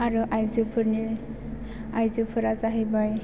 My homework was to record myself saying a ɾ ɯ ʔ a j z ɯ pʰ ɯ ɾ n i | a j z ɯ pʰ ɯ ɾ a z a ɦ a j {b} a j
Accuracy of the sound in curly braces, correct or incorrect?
correct